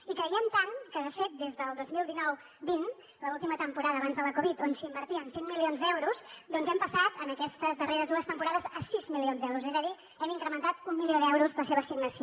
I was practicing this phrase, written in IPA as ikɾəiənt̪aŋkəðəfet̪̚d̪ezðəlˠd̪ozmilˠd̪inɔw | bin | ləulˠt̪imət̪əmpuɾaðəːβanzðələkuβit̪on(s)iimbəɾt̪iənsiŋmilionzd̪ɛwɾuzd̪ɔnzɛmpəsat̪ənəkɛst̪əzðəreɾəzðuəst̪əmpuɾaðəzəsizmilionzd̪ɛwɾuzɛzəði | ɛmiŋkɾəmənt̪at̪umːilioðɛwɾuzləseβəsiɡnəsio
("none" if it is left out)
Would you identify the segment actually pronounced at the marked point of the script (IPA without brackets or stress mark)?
s